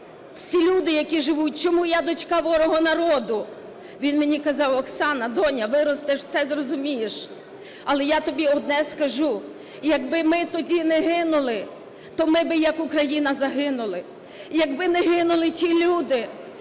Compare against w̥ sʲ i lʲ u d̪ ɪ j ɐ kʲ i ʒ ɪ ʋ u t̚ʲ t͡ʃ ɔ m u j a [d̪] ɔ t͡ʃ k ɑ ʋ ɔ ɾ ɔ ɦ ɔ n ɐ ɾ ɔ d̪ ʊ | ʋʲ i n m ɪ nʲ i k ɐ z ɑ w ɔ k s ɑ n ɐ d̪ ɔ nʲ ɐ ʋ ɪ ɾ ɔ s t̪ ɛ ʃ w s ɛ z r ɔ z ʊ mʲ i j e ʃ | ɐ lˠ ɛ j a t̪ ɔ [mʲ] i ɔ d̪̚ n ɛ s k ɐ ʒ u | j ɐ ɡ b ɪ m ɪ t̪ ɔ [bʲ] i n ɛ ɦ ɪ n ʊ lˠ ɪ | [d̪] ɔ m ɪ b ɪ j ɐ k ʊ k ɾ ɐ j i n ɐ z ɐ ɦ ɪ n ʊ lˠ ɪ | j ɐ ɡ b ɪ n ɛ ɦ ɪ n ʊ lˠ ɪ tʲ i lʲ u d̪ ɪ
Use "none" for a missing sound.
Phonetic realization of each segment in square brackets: d̪, bʲ, dʲ, t̪

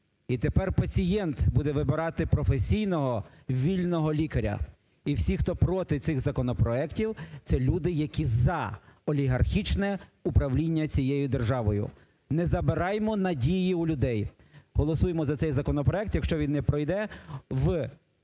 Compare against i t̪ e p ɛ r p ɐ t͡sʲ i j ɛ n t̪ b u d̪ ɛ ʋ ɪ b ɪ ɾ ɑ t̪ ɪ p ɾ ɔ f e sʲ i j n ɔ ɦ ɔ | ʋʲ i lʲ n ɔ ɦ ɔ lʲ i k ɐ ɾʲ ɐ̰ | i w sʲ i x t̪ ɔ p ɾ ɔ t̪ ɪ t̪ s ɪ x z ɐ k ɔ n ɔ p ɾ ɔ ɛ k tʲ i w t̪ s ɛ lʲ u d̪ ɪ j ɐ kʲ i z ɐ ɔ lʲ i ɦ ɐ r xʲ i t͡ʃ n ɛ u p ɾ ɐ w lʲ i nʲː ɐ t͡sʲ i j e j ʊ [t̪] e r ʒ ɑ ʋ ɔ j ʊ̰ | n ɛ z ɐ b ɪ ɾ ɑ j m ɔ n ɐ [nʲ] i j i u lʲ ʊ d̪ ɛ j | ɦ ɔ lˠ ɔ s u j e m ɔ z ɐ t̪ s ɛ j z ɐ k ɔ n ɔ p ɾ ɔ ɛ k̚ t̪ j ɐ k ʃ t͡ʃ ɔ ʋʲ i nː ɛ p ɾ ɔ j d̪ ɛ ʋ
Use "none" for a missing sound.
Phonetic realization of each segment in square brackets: d̪, dʲ

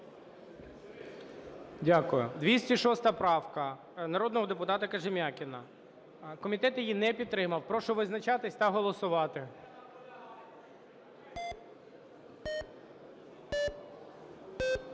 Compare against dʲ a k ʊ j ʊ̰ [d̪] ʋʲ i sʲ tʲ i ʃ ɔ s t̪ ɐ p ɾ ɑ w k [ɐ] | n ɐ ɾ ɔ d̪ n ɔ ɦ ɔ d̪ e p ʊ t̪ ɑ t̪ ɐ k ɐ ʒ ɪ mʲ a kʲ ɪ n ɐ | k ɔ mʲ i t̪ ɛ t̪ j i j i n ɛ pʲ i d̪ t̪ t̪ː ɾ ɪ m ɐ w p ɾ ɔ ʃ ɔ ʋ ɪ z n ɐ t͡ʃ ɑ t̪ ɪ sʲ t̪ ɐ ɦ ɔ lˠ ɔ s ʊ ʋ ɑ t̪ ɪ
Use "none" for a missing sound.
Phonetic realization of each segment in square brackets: d̪, ɐ

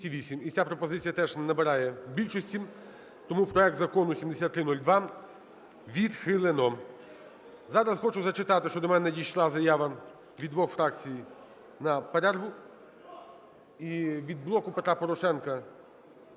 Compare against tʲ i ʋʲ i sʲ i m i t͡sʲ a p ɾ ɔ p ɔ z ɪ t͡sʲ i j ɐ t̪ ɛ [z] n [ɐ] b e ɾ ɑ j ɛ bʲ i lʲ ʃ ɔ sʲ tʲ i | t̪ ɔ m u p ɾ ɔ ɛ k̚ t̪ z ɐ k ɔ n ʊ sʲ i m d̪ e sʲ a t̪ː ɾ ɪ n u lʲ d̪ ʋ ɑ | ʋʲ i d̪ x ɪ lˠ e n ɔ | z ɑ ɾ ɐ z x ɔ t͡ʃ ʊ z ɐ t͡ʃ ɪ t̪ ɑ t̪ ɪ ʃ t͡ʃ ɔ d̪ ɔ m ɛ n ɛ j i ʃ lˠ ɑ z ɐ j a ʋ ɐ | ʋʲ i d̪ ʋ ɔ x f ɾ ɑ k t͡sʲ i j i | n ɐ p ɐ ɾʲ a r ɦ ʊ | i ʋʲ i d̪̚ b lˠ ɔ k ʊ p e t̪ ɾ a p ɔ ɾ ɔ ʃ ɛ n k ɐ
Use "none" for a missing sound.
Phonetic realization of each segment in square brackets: ʒ, ɐ

